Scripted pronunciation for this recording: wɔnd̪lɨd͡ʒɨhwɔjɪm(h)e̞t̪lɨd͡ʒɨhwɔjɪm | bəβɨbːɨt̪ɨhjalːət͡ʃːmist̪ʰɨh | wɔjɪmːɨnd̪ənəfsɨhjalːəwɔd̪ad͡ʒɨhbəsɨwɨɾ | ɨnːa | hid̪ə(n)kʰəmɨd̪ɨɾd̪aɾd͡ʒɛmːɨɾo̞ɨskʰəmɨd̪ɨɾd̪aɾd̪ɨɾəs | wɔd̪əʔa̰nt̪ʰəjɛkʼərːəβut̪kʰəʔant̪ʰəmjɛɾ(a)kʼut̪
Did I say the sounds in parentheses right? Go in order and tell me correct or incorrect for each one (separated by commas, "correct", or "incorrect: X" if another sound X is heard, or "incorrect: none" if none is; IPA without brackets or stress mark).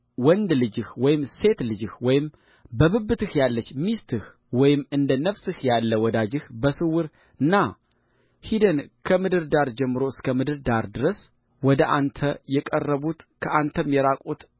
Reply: incorrect: s, correct, correct